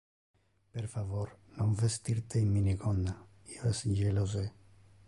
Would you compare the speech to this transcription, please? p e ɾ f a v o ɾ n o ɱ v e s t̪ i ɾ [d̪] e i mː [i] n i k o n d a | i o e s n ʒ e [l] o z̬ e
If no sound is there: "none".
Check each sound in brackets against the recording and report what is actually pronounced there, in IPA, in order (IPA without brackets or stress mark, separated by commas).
t̪, i, l